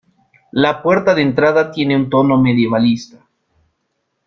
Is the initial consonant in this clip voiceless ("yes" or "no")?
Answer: no